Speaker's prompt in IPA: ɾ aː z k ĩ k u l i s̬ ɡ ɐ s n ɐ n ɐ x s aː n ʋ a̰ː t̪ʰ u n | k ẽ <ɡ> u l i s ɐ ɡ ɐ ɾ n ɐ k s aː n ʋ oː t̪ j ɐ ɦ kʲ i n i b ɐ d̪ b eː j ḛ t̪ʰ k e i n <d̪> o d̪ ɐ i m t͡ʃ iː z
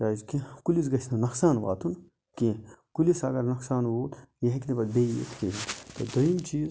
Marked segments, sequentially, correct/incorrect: incorrect, incorrect

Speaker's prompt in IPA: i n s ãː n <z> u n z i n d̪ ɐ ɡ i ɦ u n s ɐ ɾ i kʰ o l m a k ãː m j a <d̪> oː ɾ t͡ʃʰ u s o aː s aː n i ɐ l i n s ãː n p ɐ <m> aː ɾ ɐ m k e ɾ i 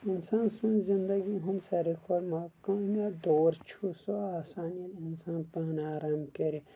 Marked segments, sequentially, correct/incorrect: incorrect, correct, incorrect

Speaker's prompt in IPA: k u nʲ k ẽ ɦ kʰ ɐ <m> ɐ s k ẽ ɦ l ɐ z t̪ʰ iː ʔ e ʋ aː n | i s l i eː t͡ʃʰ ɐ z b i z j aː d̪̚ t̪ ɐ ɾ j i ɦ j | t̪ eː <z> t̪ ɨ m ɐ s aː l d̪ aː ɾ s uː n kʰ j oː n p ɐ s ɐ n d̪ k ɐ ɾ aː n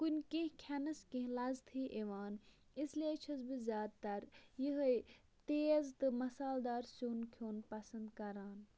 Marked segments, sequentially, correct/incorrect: incorrect, correct

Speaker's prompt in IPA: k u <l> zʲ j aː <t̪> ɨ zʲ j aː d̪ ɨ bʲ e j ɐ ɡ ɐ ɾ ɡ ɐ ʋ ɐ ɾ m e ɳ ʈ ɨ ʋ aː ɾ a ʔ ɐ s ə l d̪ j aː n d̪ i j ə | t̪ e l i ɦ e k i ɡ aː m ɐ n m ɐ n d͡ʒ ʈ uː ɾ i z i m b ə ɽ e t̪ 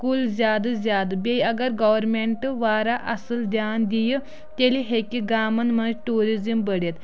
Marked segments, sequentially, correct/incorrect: correct, incorrect

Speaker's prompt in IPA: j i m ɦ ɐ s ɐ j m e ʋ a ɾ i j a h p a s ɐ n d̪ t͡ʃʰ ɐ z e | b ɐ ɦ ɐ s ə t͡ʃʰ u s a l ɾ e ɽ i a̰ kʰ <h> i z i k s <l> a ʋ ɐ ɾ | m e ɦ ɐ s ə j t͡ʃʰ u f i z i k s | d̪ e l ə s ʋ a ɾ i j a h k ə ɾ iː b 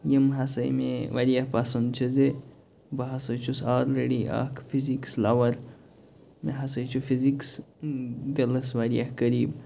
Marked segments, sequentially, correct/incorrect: incorrect, correct

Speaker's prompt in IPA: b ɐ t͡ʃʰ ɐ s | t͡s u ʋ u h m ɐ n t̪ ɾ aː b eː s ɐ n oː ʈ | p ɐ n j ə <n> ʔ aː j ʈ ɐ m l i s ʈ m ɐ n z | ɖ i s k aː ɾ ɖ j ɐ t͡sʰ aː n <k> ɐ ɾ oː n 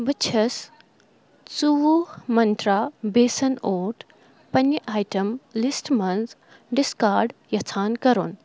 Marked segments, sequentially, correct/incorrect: incorrect, correct

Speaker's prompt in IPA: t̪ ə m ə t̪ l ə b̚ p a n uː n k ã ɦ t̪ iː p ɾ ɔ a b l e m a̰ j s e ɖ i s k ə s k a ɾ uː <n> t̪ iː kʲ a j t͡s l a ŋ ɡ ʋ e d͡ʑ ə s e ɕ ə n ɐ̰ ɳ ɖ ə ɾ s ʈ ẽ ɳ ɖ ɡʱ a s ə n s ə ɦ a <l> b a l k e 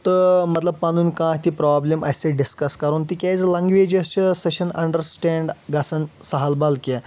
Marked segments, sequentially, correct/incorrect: correct, correct

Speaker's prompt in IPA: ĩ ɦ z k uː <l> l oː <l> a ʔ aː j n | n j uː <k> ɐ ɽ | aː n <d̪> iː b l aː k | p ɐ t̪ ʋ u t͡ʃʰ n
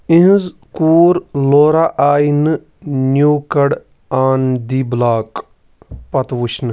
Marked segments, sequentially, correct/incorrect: incorrect, incorrect, correct, correct

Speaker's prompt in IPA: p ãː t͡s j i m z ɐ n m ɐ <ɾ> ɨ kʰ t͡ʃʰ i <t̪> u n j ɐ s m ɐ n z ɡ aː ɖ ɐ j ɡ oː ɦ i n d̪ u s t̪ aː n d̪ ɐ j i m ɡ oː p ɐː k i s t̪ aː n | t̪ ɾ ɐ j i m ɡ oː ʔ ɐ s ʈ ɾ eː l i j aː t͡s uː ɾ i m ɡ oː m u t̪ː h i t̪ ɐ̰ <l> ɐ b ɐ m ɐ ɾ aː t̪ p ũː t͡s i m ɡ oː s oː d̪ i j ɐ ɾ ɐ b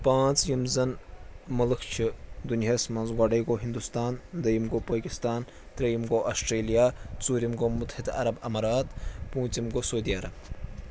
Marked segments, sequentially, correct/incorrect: incorrect, incorrect, incorrect

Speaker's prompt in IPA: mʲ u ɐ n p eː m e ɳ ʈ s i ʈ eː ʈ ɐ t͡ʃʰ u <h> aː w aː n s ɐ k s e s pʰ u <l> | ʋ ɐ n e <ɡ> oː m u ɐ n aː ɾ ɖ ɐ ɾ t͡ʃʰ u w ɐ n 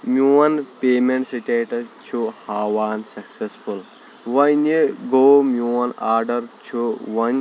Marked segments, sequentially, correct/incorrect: correct, correct, correct

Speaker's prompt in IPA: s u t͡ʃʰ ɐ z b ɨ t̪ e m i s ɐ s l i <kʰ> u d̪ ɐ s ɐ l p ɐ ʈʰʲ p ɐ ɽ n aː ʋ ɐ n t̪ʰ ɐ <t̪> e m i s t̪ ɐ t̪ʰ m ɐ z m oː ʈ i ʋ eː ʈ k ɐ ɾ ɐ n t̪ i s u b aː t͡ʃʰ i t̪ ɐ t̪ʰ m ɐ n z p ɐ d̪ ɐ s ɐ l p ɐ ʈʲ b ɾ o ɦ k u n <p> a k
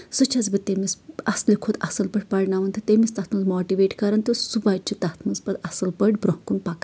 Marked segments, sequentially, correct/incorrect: correct, correct, correct

